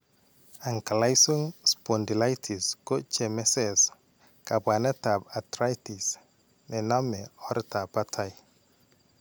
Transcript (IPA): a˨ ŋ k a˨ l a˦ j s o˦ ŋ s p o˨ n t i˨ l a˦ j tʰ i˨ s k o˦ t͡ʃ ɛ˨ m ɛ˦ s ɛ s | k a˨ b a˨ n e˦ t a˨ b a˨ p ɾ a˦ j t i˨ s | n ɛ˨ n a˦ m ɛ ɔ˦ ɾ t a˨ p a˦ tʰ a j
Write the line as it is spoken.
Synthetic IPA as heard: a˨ ŋ k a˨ l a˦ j s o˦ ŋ s p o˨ n d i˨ l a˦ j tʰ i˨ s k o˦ t͡ʃ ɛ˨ m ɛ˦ s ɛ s | k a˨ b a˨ n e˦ t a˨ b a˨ t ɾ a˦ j t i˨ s | n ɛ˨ n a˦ m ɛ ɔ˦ ɾ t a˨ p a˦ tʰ a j